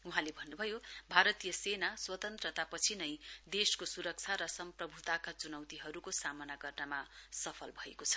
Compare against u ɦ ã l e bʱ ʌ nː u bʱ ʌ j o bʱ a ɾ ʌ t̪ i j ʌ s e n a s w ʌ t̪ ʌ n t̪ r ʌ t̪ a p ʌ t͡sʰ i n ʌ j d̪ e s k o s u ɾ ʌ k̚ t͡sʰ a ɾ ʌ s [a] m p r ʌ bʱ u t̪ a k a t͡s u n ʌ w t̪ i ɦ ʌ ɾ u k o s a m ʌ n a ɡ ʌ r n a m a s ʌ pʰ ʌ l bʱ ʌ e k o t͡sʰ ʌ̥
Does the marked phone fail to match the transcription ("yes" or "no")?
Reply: yes